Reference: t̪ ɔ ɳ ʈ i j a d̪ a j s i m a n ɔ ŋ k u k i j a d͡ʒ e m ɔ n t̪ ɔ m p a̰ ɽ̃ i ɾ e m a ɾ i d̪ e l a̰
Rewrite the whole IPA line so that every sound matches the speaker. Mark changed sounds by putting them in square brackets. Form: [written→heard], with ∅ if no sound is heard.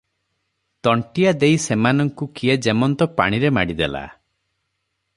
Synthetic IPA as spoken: t̪ ɔ ɳ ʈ i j a d̪ [a→e] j s [i→e] m a n ɔ ŋ k u k i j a d͡ʒ e m ɔ n t̪ ɔ [m→∅] p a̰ ɽ̃ i ɾ e m a [ɾ→ɽ] i d̪ e l a̰